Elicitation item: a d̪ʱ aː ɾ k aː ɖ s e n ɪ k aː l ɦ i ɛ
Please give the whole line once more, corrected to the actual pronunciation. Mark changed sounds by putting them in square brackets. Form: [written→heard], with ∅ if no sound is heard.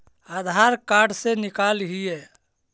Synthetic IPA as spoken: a d̪ʱ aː ɾ k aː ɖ s e n ɪ k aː l ɦ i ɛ

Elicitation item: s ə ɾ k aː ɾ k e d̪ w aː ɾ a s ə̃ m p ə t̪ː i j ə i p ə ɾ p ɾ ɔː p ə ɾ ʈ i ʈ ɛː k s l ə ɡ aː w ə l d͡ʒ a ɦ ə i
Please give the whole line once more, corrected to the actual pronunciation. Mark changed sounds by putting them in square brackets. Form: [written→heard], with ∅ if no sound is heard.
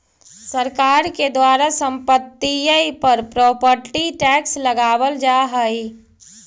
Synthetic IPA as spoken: s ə ɾ k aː ɾ k e d̪ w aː ɾ a s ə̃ m p ə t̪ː i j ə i p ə ɾ p ɾ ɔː p ə ɾ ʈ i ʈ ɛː k s l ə ɡ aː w ə l d͡ʒ a ɦ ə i

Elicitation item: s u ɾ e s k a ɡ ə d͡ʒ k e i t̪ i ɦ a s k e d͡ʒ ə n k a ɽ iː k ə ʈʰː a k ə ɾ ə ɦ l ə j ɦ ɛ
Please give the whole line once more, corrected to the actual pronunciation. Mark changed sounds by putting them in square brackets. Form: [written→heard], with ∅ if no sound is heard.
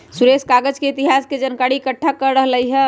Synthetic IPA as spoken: s u ɾ e s k a ɡ ə d͡ʒ k e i t̪ i ɦ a s k e d͡ʒ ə n k a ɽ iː k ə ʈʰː a k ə ɾ ə ɦ l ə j ɦ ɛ

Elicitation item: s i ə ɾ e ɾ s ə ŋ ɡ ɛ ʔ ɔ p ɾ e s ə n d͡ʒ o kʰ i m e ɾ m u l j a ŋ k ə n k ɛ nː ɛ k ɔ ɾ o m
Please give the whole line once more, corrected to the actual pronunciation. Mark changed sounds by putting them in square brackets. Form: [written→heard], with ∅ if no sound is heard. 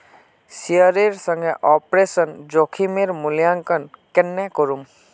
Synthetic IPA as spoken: s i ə ɾ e ɾ s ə ŋ ɡ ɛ ʔ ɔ p ɾ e s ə n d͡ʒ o kʰ i m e ɾ m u l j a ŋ k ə n k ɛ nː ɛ k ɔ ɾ [o→u] m

